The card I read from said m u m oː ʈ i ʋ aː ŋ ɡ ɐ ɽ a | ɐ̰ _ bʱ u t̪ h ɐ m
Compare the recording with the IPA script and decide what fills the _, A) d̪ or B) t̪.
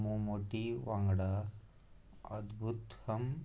A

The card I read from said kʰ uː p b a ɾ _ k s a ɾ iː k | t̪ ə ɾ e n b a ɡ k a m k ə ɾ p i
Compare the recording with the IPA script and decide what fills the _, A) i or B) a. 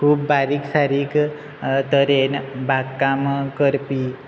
A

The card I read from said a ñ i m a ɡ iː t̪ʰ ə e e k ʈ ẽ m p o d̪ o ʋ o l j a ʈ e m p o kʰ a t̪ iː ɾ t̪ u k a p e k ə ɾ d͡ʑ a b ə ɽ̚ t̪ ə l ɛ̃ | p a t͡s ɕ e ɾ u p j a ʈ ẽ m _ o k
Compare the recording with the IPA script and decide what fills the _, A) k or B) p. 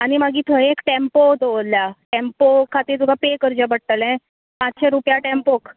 B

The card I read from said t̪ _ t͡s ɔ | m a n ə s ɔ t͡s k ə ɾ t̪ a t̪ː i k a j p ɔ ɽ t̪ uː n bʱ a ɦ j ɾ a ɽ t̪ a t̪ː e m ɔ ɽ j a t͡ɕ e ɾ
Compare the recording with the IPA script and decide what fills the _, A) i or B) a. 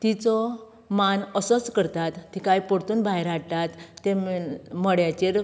A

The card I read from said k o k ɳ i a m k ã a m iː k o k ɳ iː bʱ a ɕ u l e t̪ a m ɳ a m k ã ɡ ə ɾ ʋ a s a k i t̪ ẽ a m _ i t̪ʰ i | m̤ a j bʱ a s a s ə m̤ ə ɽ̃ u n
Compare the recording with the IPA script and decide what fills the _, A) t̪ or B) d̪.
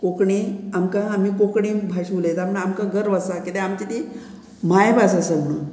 A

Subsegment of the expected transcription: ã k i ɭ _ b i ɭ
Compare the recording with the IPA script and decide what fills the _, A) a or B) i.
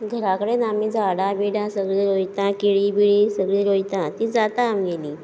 B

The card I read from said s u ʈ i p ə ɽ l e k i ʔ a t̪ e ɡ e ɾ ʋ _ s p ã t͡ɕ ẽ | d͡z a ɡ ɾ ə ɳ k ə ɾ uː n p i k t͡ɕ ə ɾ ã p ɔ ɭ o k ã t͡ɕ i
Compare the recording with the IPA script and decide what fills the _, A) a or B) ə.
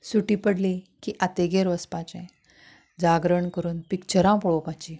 B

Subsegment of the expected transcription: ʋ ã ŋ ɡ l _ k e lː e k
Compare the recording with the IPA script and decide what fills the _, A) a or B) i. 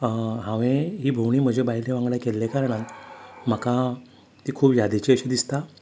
A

